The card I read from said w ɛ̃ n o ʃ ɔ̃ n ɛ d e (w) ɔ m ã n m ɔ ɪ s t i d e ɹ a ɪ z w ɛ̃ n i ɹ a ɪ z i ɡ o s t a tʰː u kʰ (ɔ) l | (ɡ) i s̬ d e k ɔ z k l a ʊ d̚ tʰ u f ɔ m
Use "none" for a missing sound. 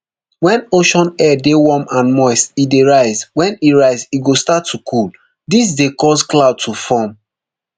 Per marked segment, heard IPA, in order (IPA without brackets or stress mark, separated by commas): w, u, d